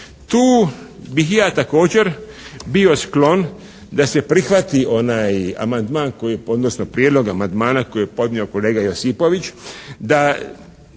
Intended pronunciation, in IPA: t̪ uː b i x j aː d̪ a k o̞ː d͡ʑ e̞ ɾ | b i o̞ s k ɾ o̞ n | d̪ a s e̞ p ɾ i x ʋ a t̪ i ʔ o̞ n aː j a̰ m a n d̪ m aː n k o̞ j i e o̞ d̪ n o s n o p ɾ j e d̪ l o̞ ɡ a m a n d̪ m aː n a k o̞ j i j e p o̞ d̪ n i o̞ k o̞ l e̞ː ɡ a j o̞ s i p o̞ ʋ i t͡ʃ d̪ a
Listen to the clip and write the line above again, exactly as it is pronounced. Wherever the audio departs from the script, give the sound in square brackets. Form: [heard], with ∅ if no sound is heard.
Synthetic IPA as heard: t̪ uː b i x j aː [t̪] a k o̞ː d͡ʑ e̞ ɾ | b i o̞ s k [l] o̞ n | d̪ a s e̞ p ɾ i x ʋ a t̪ i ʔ o̞ n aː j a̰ m a n d̪ m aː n k o̞ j i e o̞ d̪ n o s n o p ɾ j e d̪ l o̞ ɡ a m a n d̪ m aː n a k o̞ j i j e p o̞ d̪ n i o̞ k o̞ l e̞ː ɡ a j o̞ s i p o̞ ʋ i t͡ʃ d̪ a